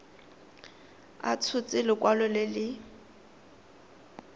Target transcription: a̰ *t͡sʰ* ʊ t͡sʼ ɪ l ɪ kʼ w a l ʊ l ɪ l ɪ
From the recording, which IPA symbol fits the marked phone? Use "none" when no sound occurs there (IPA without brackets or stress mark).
t͡sʰ